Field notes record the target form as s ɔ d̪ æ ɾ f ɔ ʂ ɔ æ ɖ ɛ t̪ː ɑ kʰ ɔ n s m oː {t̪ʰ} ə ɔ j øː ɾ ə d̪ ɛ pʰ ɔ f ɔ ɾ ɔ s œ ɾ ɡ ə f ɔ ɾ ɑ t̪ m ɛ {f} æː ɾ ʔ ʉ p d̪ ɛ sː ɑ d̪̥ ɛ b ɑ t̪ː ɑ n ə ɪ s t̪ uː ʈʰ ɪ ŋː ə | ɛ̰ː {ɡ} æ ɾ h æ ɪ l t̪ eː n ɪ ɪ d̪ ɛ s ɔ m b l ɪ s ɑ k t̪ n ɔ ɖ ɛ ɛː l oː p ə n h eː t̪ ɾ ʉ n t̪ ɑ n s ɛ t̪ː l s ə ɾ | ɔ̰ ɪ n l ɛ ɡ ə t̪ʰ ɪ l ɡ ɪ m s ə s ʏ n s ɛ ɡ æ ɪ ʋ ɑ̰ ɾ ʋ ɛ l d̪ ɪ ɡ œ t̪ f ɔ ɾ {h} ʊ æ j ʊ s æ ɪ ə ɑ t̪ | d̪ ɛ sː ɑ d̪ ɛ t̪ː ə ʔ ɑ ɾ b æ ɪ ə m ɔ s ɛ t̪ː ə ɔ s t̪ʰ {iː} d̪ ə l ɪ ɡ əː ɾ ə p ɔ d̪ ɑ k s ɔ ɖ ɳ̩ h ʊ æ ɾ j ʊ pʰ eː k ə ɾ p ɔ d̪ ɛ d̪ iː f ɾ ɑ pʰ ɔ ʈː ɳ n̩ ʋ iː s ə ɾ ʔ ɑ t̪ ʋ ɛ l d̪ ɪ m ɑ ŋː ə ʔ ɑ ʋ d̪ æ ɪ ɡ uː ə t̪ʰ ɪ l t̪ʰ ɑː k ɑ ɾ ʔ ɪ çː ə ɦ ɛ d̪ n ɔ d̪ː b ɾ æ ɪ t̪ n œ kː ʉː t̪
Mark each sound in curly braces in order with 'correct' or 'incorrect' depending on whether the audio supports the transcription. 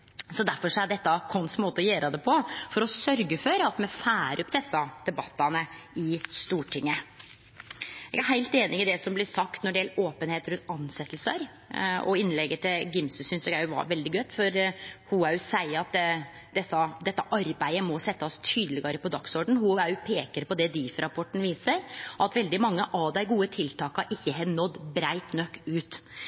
incorrect, correct, correct, correct, incorrect

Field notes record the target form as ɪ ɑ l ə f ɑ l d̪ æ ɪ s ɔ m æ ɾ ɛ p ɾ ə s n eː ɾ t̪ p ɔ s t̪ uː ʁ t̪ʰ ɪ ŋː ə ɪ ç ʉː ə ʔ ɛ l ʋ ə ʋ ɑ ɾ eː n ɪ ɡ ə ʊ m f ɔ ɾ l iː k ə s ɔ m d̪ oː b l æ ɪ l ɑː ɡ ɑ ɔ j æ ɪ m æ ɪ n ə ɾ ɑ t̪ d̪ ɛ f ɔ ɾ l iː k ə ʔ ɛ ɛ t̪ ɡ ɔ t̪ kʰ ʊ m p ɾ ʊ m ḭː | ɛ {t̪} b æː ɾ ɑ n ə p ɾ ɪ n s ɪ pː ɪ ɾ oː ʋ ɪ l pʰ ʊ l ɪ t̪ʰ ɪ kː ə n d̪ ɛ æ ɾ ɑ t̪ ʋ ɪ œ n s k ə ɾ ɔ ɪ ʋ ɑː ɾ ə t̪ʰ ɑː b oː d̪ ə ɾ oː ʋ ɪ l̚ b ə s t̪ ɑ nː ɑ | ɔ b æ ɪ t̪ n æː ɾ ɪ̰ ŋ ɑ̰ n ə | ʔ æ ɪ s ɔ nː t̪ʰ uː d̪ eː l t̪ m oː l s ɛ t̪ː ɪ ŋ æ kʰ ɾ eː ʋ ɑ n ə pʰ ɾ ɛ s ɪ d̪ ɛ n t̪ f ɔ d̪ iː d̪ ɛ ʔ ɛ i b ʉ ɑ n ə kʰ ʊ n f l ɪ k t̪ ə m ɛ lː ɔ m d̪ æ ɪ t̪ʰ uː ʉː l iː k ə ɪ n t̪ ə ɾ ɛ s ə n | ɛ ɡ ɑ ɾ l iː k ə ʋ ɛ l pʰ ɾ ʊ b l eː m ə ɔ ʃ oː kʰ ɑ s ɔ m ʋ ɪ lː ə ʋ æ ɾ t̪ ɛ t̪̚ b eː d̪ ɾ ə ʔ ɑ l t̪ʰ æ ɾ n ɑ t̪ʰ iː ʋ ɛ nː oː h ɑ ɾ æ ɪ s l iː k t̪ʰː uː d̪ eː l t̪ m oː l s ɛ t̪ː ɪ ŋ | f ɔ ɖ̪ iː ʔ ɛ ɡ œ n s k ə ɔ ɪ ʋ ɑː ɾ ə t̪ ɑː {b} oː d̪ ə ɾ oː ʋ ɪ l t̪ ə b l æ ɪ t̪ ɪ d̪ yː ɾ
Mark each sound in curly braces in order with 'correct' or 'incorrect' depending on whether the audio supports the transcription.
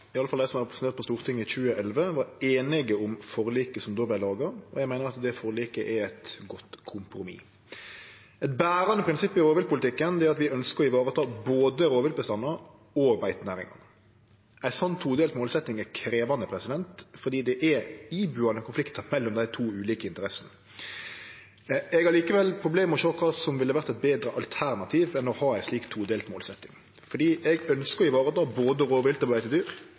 correct, correct

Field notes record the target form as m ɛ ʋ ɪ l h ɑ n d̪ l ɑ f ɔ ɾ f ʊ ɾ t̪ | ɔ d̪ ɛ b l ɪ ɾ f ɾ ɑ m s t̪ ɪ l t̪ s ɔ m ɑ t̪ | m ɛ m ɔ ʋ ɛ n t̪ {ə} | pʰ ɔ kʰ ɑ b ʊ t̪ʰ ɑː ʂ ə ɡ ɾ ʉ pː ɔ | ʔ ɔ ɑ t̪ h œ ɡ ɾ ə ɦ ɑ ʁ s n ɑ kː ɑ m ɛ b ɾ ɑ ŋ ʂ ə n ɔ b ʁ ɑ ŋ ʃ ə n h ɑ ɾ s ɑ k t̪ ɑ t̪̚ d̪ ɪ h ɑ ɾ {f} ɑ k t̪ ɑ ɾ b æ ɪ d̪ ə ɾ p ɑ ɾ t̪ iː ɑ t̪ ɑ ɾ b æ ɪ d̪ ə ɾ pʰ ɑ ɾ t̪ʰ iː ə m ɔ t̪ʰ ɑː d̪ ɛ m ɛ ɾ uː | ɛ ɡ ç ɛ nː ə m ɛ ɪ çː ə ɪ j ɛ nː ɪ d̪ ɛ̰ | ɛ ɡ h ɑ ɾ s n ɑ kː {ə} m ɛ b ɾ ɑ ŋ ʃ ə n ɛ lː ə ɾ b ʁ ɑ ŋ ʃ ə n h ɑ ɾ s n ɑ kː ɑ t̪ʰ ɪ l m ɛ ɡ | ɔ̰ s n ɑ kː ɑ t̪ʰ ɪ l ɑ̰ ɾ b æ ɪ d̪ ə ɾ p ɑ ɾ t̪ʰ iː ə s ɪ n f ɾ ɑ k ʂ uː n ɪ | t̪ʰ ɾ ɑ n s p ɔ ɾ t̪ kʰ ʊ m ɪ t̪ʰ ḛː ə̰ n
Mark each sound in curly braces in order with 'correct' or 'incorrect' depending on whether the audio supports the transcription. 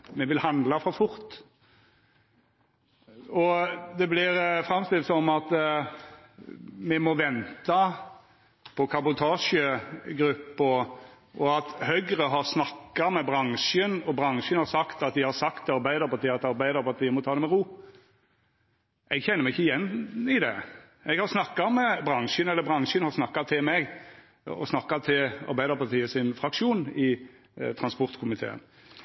incorrect, incorrect, incorrect

